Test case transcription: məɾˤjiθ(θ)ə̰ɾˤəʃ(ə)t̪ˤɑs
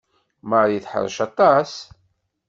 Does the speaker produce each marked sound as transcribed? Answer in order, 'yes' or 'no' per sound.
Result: no, no

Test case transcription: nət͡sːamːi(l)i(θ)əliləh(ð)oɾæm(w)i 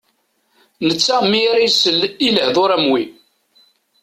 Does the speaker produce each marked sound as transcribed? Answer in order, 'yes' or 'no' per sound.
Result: no, no, yes, yes

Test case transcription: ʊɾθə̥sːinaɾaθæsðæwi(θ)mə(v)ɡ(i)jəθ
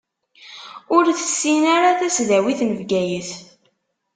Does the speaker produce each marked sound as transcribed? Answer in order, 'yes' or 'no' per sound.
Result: yes, yes, no

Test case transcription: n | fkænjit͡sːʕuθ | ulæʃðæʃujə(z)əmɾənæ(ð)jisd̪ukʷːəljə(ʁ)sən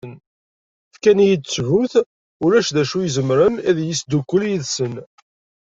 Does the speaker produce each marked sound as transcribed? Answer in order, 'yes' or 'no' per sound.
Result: yes, yes, no

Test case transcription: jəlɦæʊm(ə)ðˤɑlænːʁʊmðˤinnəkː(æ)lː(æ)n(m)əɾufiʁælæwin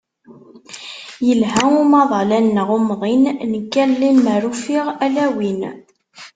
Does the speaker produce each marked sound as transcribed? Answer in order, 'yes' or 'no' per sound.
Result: no, yes, no, yes

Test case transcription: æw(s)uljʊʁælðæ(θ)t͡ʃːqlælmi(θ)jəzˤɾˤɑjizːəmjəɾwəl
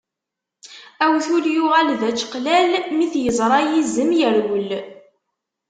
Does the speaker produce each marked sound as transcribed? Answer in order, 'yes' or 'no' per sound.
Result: no, no, yes

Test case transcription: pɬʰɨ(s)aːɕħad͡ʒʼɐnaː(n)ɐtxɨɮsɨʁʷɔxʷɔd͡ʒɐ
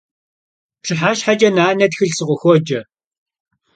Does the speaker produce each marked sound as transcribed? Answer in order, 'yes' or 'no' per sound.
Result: no, yes

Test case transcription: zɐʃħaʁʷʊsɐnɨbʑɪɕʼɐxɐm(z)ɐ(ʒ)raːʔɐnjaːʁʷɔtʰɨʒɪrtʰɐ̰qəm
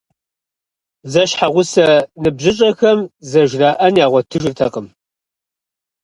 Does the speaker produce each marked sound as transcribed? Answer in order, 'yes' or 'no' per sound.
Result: yes, yes

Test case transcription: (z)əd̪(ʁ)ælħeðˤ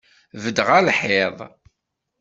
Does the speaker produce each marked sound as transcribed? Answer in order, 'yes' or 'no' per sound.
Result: no, yes

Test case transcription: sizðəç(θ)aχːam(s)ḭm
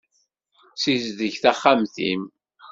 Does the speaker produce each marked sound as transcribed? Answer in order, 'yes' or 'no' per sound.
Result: yes, no

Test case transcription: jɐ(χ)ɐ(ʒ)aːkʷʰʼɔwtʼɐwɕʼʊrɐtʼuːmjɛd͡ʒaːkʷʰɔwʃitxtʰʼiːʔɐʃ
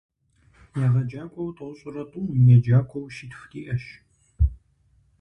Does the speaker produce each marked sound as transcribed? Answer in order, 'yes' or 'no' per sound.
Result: no, no

